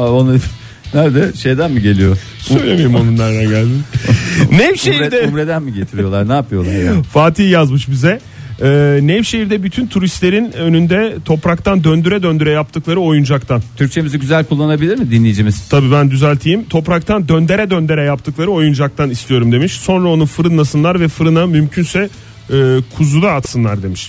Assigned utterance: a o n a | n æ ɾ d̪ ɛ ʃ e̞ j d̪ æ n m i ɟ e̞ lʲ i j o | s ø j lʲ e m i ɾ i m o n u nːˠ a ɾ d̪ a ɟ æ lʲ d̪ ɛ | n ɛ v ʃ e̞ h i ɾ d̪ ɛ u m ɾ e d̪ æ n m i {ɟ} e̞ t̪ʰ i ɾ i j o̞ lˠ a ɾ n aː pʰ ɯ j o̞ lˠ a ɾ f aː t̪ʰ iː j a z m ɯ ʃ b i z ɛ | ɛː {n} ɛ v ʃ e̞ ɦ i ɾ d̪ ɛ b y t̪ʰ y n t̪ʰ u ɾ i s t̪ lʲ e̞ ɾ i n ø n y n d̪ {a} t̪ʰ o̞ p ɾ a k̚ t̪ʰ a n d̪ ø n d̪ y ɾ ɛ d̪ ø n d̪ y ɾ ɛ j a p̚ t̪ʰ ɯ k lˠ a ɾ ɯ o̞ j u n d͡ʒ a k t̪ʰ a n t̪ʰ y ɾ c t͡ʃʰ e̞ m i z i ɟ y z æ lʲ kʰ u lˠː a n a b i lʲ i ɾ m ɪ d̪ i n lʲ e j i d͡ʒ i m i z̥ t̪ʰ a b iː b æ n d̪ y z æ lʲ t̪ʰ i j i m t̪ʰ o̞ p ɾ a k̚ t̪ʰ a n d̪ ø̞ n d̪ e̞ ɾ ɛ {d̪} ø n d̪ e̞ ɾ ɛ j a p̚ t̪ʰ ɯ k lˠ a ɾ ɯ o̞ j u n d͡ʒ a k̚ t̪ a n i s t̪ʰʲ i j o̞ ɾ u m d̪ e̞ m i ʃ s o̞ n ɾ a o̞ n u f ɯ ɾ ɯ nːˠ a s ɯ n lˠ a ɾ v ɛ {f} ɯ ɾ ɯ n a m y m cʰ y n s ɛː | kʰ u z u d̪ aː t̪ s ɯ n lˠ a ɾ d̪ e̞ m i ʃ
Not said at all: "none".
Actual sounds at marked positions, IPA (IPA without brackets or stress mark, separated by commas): ɟ, n, ɛ, d̪, f